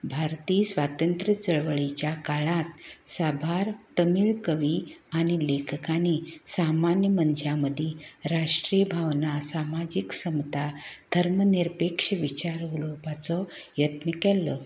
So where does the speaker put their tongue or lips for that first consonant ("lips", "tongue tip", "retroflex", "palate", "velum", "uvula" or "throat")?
lips